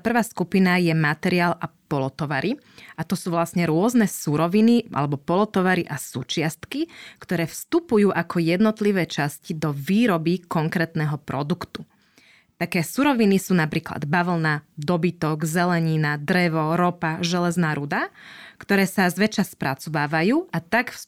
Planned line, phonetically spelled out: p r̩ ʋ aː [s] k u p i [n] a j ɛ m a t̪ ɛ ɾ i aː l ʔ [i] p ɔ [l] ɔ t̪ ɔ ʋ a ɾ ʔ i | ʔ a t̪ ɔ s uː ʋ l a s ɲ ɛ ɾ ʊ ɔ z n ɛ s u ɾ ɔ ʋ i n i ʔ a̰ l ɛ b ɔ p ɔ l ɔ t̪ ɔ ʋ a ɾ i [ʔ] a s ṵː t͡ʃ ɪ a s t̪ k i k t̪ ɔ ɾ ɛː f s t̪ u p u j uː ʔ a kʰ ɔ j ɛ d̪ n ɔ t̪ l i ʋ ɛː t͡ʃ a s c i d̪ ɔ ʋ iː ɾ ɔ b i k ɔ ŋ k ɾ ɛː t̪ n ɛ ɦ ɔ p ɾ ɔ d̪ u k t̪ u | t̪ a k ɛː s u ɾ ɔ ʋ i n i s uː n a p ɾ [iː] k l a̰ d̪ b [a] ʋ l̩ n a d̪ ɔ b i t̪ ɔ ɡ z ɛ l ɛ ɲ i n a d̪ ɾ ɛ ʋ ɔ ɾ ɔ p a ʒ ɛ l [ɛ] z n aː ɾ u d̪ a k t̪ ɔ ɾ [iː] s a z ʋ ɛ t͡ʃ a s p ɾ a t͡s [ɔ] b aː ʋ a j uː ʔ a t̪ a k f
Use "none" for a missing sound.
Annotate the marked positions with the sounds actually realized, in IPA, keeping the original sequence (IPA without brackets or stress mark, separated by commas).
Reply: s, n, a, l, ʔ, iː, a, ɛ, ɛː, ɔ